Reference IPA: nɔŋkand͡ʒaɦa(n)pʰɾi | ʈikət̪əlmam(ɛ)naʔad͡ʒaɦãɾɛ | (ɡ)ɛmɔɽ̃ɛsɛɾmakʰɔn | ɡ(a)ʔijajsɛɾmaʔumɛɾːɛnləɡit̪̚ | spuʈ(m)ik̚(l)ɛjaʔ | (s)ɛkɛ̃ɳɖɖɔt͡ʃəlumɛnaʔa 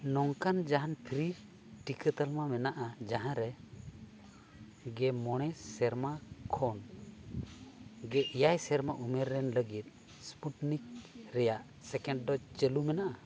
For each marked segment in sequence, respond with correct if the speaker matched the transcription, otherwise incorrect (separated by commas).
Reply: correct, correct, correct, incorrect, incorrect, incorrect, correct